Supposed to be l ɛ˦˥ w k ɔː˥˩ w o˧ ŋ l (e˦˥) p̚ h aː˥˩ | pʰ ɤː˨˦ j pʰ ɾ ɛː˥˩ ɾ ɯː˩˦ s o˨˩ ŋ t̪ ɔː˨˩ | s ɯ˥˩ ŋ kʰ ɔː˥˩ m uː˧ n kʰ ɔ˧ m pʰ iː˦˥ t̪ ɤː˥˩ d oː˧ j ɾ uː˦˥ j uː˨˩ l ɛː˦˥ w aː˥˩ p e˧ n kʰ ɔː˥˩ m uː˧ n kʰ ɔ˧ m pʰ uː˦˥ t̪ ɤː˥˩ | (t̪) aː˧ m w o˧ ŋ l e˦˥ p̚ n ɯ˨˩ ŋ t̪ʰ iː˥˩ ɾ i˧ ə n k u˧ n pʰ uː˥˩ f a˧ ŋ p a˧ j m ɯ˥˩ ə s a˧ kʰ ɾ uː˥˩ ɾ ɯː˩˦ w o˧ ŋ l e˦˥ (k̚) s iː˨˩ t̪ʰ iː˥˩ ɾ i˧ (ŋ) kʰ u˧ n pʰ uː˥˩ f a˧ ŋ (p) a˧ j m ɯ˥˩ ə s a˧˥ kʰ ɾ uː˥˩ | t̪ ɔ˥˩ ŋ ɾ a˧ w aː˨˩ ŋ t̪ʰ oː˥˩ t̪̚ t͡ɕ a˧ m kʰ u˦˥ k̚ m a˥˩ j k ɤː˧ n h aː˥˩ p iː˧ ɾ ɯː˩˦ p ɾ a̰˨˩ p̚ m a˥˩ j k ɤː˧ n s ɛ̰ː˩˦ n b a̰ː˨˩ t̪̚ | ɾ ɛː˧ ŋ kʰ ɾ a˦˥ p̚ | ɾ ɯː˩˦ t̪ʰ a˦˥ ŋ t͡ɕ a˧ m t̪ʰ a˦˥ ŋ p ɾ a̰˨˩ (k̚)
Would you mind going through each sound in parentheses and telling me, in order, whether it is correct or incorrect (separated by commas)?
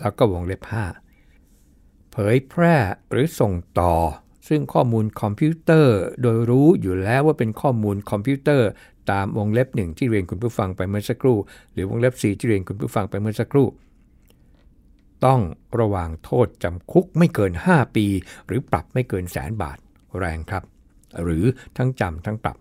correct, correct, incorrect, incorrect, correct, incorrect